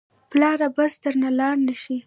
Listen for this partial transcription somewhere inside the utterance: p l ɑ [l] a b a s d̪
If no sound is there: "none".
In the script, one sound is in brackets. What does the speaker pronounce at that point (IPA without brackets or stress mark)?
ɾ